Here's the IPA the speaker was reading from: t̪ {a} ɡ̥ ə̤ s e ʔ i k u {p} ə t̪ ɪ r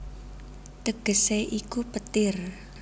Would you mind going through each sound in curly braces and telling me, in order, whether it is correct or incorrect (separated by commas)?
incorrect, correct